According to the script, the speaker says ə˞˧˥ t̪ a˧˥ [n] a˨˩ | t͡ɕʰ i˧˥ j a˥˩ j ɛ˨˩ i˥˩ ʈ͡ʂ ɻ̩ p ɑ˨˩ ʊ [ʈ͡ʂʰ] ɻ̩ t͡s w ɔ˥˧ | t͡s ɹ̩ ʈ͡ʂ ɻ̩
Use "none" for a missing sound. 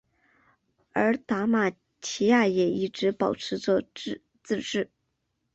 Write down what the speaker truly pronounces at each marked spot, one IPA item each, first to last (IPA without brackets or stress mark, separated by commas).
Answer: m, ʈ͡ʂʰ